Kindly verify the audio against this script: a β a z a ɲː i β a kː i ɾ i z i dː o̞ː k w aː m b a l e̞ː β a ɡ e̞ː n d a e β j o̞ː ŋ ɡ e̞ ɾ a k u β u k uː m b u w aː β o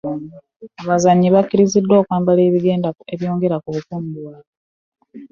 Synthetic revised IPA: a β a z a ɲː i β a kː i ɾ i z i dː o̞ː k w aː m b a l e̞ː β i ɡ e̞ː n d a e β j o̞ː ŋ ɡ e̞ ɾ a k u β u k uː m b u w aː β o